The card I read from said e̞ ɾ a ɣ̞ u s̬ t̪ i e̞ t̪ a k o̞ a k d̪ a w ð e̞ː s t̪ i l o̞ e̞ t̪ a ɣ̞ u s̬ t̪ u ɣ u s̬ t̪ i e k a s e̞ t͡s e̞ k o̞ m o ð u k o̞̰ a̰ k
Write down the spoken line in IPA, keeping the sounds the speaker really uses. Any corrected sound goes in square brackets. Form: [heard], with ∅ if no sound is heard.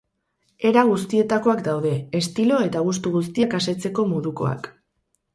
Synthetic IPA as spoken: e̞ ɾ a ɣ̞ u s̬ t̪ i e̞ t̪ a k o̞ a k d̪ a w ð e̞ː s t̪ i l o̞ e̞ t̪ a ɣ̞ u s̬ t̪ u ɣ u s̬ t̪ i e k a s e̞ t͡s e̞ k o̞ m o ð u k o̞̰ a̰ k